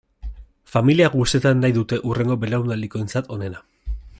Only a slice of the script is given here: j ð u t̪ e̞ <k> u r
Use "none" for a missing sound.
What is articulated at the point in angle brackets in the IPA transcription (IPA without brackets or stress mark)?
ʔ